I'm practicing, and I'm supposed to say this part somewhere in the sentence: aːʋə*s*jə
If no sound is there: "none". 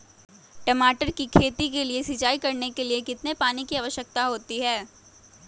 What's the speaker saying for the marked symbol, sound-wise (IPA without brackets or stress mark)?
ʃ